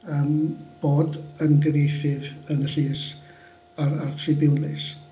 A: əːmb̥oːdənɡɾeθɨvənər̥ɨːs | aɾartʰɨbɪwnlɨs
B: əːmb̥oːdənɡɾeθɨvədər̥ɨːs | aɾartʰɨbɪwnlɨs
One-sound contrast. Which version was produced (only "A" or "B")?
A